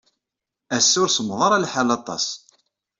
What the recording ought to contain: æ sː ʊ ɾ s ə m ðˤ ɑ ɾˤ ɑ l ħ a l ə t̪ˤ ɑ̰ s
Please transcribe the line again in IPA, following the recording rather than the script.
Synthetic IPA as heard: æ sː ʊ ɾ s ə m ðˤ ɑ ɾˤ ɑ l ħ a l ɑ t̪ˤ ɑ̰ s